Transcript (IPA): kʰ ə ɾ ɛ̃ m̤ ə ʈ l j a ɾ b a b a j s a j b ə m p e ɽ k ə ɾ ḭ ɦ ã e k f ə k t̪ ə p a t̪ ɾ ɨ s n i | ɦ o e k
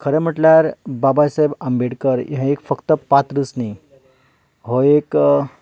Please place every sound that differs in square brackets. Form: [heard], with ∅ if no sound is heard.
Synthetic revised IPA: kʰ ə ɾ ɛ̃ m̤ ə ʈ l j a ɾ b a b a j s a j b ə m [b] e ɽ k ə ɾ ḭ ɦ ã e k f ə k t̪ ə p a t̪ ɾ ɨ s n i | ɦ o e k